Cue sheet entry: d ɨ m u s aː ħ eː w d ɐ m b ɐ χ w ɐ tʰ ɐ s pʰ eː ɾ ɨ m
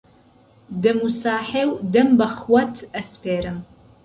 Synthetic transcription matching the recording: d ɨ m u s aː ħ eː w d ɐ m b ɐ χ w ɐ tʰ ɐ s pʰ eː ɾ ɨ m